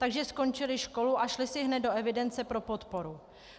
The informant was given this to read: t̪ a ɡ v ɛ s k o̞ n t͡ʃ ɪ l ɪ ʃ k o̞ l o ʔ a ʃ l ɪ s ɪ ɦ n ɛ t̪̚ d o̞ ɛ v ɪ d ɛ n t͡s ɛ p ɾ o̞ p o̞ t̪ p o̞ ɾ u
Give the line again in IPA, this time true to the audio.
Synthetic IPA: t̪ a ɡ ʒ ɛ s k o̞ n t͡ʃ ɪ l ɪ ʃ k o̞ l u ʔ a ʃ l ɪ s ɪ ɦ n ɛ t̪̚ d o̞ ɛ v ɪ d ɛ n t͡s ɛ p ɾ o̞ p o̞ t̪ p o̞ ɾ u